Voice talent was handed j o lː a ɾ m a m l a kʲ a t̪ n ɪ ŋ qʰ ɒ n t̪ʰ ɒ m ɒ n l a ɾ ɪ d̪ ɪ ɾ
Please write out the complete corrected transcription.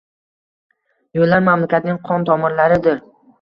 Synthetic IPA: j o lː a ɾ m a m l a kʲ a t̪ n ɪ ŋ qʰ ɒ n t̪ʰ ɒ m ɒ n l a ɾ ɪ d̪ ɪ ɾ